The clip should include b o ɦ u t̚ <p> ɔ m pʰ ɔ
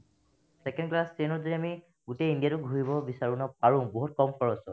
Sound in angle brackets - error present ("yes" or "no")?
yes